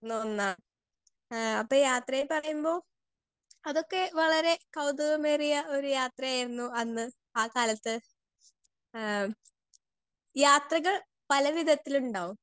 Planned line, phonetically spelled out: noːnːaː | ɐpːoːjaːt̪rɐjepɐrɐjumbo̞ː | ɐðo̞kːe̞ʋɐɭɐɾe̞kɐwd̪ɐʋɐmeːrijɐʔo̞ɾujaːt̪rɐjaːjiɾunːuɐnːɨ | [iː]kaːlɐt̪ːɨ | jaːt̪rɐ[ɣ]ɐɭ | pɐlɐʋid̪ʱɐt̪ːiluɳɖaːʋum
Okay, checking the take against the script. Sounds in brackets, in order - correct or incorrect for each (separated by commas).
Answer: incorrect, correct